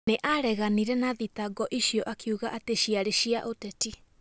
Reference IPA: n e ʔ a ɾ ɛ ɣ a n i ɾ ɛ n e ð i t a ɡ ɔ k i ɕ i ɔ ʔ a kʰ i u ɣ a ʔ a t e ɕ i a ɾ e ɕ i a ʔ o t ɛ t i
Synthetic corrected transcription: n e ʔ a ɾ ɛ ɣ a n i ɾ ɛ n a ð i t a ɡ ɔ ʔ i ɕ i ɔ ʔ a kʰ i u ɣ a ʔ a t e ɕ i a ɾ e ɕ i a ʔ o t ɛ t i